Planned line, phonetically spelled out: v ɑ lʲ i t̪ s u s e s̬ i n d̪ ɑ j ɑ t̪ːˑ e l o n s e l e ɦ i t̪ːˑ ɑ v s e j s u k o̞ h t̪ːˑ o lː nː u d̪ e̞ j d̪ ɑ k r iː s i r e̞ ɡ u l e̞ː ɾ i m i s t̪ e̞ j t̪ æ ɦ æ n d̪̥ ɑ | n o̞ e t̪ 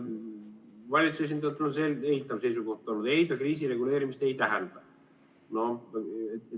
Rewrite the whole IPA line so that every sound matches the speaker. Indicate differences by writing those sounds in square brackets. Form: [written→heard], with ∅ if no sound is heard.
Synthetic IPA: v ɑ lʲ i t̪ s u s e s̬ i n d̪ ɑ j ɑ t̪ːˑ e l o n s e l e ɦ i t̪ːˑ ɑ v s e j s u k o̞ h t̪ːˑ o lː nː u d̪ e̞ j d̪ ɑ k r iː s i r e̞ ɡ u l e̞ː ɾ i m i s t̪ e̞ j t̪ æ ɦ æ n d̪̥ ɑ | n o̞ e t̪